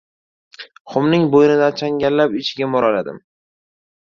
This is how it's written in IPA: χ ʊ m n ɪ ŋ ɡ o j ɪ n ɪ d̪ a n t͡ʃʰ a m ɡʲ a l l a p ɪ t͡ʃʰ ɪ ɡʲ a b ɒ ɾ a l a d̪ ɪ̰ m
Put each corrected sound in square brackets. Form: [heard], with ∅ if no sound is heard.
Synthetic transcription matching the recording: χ ʊ m n ɪ ŋ [b] o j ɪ n ɪ d̪ a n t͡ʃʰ a [ŋ] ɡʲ a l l a p ɪ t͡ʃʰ ɪ ɡʲ a [m] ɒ ɾ a l a d̪ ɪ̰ m

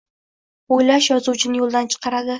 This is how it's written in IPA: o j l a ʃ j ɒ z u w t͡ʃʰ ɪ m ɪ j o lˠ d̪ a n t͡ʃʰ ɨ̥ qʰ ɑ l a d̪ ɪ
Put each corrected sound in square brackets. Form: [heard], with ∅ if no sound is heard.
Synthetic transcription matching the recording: o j l a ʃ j ɒ z u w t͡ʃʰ ɪ [n] ɪ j o lˠ d̪ a n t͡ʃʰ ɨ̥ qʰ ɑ [ɾ] a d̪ ɪ

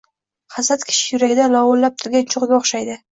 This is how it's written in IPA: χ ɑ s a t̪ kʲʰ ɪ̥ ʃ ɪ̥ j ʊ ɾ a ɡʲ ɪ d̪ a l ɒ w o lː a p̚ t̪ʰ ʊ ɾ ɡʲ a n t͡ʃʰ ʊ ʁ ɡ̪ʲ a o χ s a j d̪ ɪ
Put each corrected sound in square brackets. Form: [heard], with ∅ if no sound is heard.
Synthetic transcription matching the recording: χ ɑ s a t̪ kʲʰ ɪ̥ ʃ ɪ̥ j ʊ ɾ a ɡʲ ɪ d̪ a l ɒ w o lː a p̚ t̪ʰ ʊ ɾ ɡʲ a n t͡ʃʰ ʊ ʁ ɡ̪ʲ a o χ [ʃ] a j d̪ ɪ

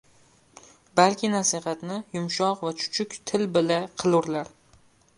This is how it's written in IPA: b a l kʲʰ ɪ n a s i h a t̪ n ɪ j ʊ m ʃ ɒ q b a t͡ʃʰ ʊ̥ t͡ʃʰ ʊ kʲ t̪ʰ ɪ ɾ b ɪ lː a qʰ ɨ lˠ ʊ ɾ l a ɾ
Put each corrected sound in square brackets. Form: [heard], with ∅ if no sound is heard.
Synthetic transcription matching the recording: b a l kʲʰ ɪ n a s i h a t̪ n ɪ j ʊ m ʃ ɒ q [v] a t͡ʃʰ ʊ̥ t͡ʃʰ ʊ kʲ t̪ʰ ɪ [l] b ɪ [l] a qʰ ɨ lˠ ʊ ɾ l a ɾ

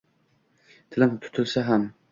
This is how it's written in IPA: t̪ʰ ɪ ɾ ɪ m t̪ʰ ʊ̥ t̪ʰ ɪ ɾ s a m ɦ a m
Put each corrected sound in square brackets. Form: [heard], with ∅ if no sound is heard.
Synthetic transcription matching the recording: t̪ʰ ɪ [l] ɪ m t̪ʰ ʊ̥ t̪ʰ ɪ [l] s a [∅] ɦ a m

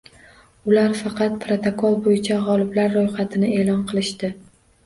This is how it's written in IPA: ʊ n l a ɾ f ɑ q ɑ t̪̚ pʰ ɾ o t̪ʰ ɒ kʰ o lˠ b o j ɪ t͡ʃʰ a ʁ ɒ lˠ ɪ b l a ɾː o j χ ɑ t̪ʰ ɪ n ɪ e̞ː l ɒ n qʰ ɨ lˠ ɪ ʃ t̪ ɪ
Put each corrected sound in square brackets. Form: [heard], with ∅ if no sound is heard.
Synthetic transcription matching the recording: ʊ [∅] l a ɾ f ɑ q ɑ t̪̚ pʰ ɾ o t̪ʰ [o] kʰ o lˠ b o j ɪ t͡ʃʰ a ʁ ɒ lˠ ɪ b l a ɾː o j χ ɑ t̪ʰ ɪ n ɪ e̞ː l ɒ n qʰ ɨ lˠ ɪ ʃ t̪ ɪ

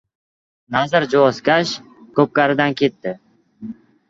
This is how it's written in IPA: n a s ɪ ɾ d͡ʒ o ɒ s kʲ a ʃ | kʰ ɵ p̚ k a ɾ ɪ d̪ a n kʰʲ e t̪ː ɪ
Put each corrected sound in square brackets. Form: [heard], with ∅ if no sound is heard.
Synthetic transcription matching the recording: n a [z] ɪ ɾ d͡ʒ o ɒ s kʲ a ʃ | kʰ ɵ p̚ k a ɾ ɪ d̪ a n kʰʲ e t̪ː ɪ

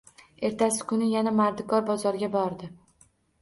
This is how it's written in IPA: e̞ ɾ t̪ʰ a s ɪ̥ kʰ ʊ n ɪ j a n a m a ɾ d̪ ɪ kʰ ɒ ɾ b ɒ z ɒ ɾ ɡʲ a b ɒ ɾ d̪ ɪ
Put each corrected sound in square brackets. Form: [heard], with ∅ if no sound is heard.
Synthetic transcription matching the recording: e̞ ɾ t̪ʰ a s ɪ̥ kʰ ʊ n ɪ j a n a m a ɾ d̪ ɪ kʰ ɒ ɾ b ɒ z ɒ ɾ ɡʲ a b ɒ ɾ d̪ ɪ

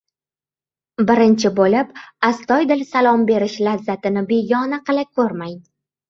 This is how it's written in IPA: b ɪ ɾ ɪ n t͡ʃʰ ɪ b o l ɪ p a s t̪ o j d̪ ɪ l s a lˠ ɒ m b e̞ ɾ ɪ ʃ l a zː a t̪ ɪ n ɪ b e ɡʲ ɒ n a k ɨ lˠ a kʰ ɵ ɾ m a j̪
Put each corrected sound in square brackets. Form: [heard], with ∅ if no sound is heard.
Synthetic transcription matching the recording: b ɪ ɾ ɪ n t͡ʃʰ ɪ b o l ɪ p a s t̪ [ɒ] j d̪ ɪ l s a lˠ ɒ m b e̞ ɾ ɪ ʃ l a zː a t̪ ɪ n ɪ b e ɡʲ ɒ n a [q] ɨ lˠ a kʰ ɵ ɾ m a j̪

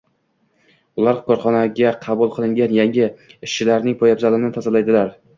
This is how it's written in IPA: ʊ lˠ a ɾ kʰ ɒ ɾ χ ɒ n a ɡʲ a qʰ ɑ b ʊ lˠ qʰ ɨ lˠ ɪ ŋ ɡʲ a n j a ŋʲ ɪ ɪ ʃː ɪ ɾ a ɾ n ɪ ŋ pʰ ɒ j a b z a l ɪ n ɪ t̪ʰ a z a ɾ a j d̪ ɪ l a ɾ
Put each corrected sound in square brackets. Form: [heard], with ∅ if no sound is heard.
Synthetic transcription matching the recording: ʊ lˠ a ɾ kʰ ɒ ɾ χ ɒ n a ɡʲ a qʰ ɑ b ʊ lˠ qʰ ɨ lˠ ɪ ŋ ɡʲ a n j a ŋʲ ɪ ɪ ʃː ɪ [l] a ɾ n ɪ ŋ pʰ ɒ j a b z a l ɪ n ɪ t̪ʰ a z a [l] a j d̪ ɪ l a ɾ

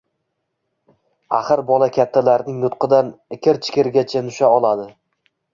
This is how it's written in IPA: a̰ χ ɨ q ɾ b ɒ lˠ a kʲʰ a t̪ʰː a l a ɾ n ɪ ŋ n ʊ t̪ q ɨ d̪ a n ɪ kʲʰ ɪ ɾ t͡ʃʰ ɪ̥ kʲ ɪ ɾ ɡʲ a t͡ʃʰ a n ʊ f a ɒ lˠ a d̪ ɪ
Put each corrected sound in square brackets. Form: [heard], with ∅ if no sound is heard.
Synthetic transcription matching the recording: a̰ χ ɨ [∅] ɾ b ɒ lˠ a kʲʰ a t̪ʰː a l a ɾ n ɪ ŋ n ʊ t̪ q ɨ d̪ a n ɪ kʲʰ ɪ ɾ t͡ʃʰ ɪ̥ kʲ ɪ ɾ ɡʲ a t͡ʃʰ a n ʊ [ʃ] a ɒ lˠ a d̪ ɪ

